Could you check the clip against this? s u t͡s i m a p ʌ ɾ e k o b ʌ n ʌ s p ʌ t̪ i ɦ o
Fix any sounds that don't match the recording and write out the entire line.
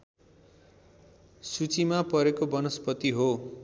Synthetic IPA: s u t͡s i m a p ʌ ɾ e k o b ʌ n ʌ s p ʌ t̪ i ɦ o